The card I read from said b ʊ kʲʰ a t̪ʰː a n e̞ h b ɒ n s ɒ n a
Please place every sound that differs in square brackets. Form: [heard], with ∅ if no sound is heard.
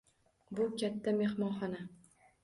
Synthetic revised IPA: b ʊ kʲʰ a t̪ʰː a [m] e̞ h [m] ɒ n [χ] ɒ n a